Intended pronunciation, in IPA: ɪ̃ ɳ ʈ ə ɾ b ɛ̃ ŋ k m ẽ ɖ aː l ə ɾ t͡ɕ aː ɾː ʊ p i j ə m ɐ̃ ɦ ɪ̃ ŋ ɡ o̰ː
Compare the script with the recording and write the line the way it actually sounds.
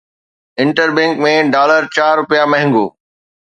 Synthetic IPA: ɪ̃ ɳ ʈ ə ɾ b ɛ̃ ŋ k m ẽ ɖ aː l ə ɾ t͡ɕ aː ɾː ʊ p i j a m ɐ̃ ɦ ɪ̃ ŋ ɡ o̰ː